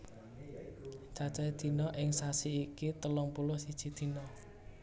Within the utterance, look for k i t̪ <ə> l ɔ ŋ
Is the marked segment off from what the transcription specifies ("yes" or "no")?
no